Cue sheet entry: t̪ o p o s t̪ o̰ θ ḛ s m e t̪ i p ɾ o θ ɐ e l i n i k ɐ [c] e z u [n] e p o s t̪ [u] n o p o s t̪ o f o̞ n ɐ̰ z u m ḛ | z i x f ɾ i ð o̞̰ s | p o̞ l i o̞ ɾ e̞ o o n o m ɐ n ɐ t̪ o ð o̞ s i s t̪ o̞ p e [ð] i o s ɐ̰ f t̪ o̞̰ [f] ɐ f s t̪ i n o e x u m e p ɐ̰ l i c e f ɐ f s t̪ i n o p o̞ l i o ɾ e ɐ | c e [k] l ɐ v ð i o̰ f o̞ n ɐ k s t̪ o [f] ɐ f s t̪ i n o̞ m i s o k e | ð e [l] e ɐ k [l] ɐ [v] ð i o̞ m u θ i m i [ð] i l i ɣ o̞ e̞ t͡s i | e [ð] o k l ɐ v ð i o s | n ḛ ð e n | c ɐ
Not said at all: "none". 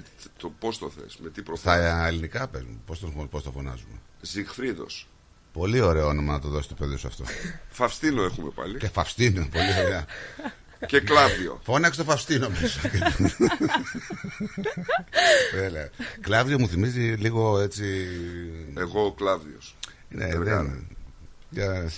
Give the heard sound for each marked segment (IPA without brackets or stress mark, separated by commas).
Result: p, m, o, ð, f, k, f, l, l, v, z, ɣ